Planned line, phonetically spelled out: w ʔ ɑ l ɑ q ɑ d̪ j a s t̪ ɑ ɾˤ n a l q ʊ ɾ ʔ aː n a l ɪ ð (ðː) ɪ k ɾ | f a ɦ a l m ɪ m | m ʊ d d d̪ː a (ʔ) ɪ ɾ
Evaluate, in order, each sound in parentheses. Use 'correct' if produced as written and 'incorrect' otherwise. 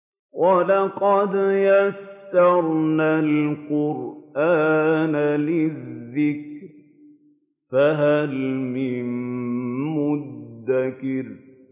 correct, incorrect: k

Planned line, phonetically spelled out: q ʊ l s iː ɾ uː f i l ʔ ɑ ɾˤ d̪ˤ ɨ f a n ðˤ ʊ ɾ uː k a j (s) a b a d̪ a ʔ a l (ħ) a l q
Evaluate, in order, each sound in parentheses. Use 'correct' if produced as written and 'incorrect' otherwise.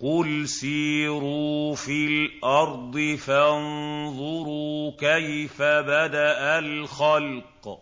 incorrect: f, incorrect: x

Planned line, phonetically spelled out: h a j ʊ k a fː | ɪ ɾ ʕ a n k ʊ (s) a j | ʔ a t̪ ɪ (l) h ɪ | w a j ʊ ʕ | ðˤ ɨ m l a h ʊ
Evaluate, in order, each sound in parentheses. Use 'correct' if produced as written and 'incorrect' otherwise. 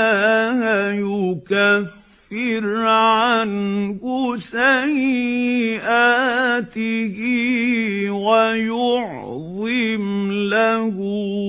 correct, incorrect: none

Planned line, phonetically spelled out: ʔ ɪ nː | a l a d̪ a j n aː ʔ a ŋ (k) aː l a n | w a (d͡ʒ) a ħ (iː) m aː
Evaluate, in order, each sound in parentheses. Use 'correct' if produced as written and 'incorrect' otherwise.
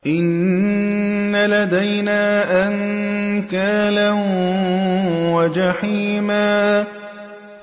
correct, correct, correct

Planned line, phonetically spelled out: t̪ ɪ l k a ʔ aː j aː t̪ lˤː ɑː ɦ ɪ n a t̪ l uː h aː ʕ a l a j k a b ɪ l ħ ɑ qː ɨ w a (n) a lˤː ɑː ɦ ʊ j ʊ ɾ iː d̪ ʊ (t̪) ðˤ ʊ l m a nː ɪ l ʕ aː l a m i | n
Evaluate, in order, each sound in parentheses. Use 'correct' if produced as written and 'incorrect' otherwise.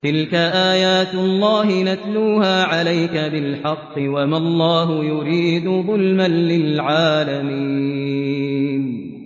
incorrect: m, incorrect: none

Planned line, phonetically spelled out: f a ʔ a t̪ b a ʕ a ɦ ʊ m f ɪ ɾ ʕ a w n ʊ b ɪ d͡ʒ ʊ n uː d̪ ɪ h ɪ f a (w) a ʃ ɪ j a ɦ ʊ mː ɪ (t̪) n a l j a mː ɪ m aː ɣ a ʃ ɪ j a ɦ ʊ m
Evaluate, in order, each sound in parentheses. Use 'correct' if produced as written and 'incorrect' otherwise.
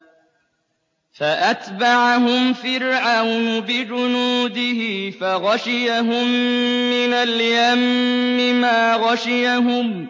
incorrect: ɣ, incorrect: none

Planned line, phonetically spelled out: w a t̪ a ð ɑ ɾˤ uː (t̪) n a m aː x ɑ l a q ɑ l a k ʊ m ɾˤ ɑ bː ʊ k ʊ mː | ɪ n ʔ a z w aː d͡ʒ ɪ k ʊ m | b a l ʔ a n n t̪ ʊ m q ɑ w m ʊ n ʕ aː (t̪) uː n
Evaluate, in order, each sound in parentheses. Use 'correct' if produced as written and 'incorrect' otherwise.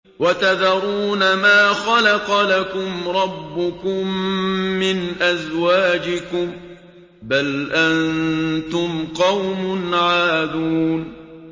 incorrect: none, incorrect: d̪

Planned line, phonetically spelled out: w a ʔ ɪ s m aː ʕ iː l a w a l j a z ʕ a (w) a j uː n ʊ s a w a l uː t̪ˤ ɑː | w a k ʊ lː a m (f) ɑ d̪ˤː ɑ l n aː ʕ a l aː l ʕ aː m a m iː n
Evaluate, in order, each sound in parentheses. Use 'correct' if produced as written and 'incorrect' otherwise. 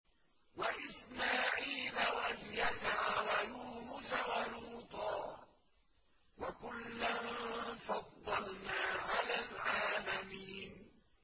correct, correct

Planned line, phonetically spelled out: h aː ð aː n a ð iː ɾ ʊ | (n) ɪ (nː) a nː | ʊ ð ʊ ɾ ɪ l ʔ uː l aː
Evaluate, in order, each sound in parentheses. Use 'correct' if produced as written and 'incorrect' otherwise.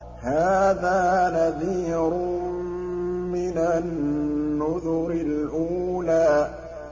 incorrect: m, incorrect: n

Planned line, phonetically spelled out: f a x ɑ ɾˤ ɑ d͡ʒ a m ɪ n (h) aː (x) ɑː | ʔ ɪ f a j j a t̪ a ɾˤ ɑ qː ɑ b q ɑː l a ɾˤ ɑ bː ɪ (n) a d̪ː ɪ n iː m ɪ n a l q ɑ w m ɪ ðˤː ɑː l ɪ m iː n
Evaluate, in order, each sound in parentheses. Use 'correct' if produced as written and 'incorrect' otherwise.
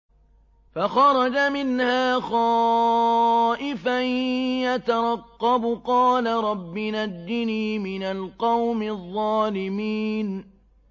correct, correct, correct

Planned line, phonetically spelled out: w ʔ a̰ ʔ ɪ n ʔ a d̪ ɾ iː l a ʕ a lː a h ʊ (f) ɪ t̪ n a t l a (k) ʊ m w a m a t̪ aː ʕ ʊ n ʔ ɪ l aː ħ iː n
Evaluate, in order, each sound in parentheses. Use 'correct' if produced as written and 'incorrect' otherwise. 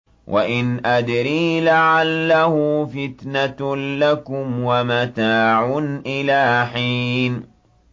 correct, correct

